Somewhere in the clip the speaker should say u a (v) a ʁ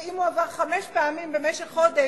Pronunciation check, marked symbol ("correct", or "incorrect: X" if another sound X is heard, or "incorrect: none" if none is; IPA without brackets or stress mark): correct